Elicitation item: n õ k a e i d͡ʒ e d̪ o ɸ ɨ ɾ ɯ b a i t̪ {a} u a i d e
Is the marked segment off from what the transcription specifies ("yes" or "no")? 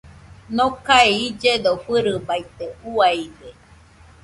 yes